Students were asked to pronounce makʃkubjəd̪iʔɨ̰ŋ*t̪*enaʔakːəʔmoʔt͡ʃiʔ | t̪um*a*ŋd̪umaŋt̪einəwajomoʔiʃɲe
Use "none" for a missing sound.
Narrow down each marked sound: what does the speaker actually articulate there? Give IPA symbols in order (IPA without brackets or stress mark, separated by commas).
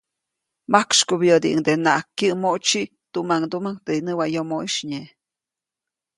d̪, a